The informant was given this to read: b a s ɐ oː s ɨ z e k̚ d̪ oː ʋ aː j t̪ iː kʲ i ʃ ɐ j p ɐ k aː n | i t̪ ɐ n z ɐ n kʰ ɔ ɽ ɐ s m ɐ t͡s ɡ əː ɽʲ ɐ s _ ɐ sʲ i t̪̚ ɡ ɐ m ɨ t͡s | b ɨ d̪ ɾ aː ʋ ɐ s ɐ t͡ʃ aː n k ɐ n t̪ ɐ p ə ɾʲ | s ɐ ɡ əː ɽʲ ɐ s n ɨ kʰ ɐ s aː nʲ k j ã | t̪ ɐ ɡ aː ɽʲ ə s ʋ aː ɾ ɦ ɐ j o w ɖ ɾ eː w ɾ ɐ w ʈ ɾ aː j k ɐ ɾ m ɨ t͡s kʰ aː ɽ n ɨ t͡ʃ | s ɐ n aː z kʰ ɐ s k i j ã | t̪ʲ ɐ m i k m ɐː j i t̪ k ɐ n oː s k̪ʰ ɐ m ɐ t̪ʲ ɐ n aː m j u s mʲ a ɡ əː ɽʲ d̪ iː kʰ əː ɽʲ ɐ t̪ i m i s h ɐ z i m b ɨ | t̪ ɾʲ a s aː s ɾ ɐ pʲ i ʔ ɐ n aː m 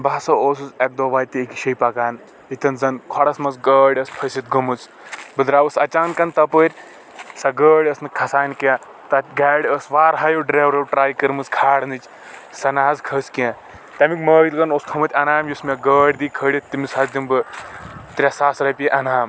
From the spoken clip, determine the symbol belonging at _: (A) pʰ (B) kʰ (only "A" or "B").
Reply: A